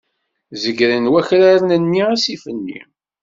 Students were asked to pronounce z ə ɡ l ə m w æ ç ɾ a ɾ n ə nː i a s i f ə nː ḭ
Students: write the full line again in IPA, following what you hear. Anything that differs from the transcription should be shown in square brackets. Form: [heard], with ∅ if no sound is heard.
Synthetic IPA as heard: z ə ɡ [ɾ] ə [n] w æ ç ɾ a ɾ n ə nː i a s i f ə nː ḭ